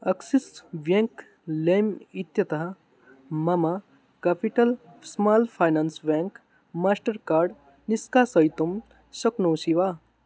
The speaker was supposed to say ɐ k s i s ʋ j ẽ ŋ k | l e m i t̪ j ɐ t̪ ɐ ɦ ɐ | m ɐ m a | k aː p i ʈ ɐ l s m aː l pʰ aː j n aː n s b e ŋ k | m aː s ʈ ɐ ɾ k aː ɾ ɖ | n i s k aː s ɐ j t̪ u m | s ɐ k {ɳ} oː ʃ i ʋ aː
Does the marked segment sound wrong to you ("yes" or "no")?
yes